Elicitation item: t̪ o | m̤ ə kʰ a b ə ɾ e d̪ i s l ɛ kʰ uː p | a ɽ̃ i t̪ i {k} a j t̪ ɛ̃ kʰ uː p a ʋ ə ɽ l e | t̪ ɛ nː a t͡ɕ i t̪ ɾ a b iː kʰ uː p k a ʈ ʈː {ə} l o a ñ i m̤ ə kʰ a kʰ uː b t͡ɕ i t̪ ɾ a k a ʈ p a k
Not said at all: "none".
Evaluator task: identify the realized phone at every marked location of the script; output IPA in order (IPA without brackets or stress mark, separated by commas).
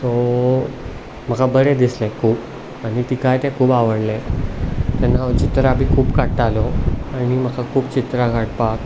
k, a